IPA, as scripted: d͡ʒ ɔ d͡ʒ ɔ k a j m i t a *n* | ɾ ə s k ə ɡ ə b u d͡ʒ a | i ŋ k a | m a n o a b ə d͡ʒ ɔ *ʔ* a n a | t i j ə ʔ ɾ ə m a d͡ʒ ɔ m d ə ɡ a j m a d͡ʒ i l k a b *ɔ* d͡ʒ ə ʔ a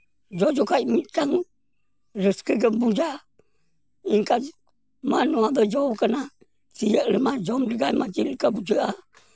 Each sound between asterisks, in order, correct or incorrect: incorrect: ŋ, incorrect: k, incorrect: u

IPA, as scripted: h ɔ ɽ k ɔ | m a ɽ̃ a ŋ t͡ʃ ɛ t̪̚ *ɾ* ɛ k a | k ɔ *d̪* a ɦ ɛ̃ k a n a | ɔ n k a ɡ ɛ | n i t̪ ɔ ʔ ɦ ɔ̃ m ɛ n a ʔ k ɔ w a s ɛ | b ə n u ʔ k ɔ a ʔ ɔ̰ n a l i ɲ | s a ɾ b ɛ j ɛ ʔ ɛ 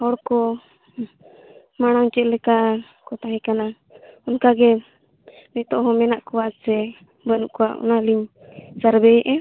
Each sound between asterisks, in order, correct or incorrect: incorrect: l, incorrect: t̪

